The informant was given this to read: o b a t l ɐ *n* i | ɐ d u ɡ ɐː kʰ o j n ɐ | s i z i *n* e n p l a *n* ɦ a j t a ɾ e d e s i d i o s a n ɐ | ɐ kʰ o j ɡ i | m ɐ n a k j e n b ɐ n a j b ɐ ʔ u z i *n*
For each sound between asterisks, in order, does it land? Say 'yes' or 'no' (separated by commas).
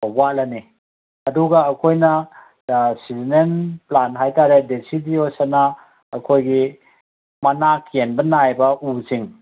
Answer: yes, yes, yes, no